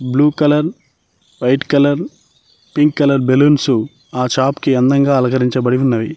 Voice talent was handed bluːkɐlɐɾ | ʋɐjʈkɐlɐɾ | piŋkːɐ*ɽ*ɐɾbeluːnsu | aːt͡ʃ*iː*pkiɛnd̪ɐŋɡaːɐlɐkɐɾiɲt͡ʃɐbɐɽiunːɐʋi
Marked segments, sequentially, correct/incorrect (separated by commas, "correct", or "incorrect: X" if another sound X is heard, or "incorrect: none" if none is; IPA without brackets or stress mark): incorrect: l, incorrect: aː